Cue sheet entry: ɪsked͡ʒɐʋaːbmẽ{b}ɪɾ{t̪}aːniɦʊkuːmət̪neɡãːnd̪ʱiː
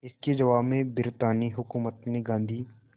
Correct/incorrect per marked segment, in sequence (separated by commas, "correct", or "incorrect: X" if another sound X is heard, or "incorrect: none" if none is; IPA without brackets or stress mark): correct, correct